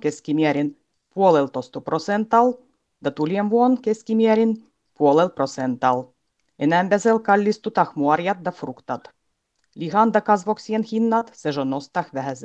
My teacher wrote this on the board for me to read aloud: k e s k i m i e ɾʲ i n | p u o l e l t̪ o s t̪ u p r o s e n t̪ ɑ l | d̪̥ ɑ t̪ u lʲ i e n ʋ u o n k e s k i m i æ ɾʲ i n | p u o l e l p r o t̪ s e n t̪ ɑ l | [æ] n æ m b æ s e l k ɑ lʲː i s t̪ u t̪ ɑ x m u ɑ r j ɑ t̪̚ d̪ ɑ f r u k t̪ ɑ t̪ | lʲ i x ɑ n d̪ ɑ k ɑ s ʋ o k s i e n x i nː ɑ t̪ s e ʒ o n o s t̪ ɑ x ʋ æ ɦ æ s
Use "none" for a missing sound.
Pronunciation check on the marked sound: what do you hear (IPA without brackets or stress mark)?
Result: e